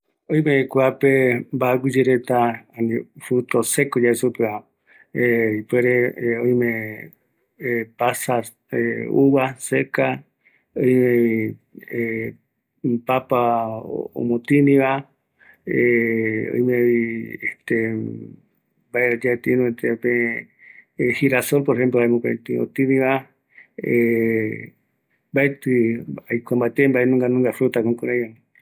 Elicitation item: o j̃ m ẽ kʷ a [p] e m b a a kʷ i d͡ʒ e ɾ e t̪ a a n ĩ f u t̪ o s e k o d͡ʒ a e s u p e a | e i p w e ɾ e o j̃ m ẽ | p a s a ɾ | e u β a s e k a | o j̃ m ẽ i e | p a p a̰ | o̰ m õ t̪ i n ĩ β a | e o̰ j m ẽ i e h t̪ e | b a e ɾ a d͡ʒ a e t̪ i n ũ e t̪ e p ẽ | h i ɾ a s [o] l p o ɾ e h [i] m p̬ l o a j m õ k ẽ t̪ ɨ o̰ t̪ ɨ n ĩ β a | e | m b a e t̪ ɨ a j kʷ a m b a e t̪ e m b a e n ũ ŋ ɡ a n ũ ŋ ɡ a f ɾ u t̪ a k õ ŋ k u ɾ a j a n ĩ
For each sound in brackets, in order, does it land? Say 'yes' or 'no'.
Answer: yes, yes, no

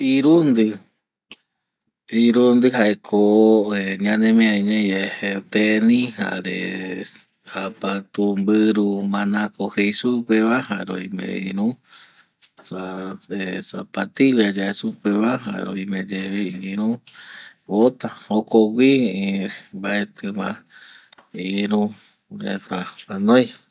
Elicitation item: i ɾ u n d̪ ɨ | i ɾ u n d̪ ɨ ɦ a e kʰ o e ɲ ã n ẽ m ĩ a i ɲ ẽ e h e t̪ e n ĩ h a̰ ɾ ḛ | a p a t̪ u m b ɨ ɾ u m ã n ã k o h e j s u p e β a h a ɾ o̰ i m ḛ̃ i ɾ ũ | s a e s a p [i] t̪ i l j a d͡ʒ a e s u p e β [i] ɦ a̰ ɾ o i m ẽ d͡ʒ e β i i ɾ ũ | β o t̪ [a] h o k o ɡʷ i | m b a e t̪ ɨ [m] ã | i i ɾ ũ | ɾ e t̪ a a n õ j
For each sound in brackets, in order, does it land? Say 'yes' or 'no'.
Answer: no, no, yes, yes

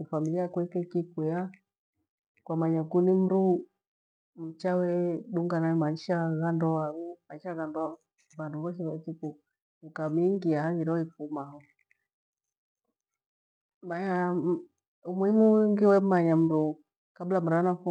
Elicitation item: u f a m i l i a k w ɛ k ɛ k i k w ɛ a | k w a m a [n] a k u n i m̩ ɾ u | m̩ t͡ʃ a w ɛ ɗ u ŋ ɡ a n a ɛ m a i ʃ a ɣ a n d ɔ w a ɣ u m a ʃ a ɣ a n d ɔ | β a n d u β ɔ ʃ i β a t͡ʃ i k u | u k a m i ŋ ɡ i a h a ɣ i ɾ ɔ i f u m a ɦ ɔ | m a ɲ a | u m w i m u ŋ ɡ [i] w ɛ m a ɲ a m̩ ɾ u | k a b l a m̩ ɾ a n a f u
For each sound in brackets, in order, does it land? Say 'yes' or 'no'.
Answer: no, yes

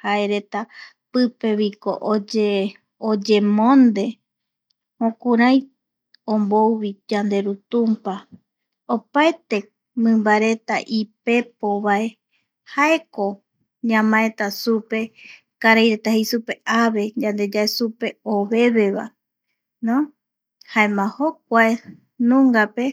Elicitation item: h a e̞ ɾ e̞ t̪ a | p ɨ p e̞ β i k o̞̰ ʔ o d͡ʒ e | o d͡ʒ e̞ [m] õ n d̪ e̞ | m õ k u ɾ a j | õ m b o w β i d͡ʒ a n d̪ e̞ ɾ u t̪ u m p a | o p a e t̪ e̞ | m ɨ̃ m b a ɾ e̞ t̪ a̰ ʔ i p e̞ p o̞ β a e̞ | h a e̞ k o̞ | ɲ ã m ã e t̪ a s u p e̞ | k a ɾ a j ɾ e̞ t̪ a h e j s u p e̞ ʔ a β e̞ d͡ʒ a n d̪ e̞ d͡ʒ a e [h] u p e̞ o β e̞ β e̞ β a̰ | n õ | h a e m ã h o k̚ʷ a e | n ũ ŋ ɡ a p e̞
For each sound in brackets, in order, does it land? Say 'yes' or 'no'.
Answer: yes, no

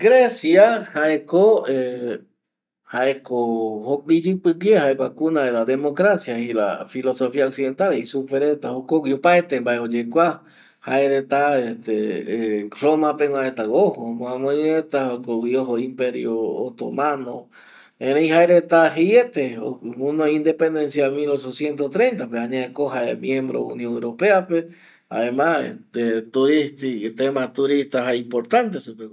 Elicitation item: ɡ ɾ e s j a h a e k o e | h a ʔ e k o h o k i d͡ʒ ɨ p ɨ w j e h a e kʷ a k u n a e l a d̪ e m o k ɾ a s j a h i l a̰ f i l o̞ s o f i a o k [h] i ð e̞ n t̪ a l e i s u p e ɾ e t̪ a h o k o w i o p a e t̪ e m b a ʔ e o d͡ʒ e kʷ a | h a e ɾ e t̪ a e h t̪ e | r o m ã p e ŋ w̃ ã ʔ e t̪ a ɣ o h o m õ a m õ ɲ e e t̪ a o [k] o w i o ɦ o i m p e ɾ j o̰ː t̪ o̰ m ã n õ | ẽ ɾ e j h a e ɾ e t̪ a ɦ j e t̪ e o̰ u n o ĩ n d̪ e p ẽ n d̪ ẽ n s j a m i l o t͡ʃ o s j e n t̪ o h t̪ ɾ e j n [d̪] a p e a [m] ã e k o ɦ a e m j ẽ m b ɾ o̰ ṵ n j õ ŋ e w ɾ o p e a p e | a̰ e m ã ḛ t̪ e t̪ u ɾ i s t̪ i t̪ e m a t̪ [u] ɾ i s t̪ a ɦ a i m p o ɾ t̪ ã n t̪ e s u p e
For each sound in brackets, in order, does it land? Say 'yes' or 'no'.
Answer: no, yes, no, no, yes

